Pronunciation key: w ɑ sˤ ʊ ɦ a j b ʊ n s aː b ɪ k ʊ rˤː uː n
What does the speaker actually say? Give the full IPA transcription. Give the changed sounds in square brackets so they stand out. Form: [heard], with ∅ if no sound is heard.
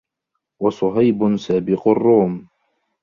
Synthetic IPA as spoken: w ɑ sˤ ʊ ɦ a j b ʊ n s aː b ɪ [q] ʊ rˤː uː [m]